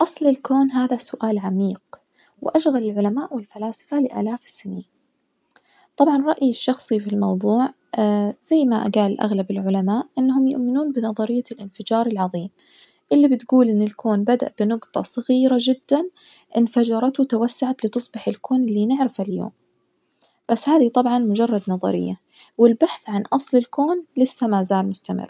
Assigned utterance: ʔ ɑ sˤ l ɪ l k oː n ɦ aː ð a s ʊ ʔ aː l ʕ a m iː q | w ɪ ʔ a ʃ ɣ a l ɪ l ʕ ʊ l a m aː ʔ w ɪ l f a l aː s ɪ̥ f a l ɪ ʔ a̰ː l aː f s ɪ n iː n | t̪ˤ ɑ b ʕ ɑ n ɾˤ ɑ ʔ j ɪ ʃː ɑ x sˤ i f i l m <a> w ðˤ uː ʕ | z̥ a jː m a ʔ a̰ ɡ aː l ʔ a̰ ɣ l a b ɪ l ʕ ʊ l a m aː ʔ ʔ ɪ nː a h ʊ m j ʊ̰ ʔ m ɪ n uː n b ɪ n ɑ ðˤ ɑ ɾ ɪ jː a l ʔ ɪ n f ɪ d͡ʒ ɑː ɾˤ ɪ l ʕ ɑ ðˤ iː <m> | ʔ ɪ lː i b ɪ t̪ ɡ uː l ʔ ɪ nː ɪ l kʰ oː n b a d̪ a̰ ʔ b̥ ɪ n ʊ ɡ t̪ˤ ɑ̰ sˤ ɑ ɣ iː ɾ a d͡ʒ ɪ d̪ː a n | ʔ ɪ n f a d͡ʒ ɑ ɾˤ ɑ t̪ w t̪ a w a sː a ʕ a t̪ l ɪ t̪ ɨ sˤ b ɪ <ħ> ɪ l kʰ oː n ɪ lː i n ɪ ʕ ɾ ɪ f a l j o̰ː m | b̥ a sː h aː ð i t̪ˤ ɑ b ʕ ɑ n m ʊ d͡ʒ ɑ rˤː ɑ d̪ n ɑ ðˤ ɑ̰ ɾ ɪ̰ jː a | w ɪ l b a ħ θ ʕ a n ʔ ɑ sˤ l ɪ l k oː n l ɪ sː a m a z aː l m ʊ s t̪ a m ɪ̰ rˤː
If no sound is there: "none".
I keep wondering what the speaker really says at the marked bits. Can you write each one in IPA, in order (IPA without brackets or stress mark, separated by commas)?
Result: ɑ, m, ħ